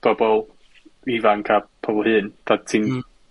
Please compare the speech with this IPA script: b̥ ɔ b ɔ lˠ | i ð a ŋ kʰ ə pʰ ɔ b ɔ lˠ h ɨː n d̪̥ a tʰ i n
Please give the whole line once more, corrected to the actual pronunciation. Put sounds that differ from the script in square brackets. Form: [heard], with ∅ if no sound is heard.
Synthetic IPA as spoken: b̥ ɔ b ɔ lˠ | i [v] a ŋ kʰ [a] pʰ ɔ b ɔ lˠ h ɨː n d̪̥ a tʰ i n